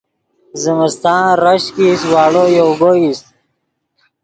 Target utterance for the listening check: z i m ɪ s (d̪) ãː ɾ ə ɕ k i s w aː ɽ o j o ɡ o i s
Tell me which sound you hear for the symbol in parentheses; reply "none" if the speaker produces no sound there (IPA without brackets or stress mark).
t̪